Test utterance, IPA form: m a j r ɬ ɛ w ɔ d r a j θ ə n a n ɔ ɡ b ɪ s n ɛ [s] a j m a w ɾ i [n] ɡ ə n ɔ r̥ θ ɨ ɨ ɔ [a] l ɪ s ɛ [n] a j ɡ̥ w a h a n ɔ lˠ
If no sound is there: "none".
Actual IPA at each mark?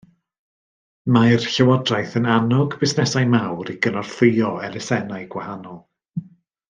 s, none, ɛ, n

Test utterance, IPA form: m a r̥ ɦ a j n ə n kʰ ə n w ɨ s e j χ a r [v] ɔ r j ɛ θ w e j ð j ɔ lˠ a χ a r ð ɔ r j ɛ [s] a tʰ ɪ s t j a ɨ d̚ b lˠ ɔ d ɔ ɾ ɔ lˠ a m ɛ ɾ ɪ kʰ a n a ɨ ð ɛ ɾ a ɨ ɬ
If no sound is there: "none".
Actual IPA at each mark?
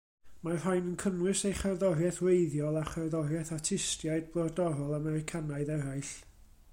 ð, θ

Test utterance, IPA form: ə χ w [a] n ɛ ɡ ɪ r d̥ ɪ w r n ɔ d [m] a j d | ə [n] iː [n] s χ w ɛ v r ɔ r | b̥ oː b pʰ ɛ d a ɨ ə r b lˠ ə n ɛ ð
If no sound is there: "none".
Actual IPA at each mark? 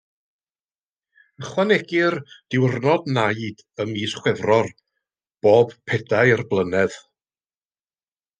a, n, m, none

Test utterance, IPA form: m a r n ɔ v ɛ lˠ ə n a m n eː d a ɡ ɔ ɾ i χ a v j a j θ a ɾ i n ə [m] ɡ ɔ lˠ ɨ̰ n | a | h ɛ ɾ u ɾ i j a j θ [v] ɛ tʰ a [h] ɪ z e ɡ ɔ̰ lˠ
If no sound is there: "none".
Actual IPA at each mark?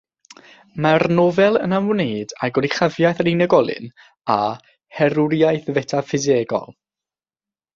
none, v, f

